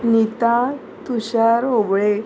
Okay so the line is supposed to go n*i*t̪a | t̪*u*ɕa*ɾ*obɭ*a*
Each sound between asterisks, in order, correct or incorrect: correct, correct, correct, incorrect

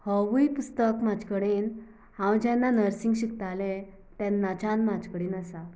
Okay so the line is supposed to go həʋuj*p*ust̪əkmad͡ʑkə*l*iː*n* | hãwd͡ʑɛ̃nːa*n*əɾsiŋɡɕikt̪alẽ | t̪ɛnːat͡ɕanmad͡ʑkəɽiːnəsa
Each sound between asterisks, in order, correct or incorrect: correct, incorrect, correct, correct

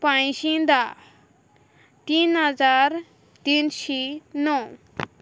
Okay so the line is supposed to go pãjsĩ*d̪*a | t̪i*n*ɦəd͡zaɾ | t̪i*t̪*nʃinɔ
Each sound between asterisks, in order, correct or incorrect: correct, correct, incorrect

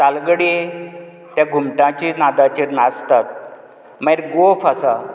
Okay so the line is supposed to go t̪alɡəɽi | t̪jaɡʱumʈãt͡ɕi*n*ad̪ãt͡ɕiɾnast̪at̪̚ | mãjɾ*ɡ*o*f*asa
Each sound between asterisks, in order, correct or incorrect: correct, correct, correct

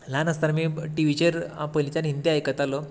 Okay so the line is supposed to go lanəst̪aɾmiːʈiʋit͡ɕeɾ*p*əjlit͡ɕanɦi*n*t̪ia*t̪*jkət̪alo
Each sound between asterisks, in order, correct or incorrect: correct, correct, incorrect

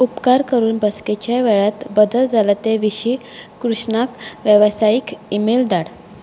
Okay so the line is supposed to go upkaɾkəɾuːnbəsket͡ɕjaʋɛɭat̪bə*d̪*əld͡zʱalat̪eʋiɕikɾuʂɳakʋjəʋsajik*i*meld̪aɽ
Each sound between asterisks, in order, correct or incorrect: correct, correct

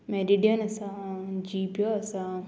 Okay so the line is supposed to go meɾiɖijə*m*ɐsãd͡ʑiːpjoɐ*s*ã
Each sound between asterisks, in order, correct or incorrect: incorrect, correct

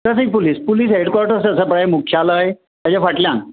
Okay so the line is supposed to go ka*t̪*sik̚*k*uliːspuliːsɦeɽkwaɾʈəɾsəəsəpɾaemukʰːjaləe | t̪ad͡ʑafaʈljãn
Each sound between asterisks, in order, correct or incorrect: incorrect, incorrect

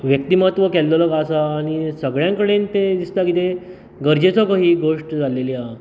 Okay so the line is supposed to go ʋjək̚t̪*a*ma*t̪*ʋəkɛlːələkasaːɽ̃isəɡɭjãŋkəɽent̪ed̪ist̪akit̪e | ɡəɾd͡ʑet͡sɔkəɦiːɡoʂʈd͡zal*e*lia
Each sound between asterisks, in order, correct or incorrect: incorrect, correct, correct

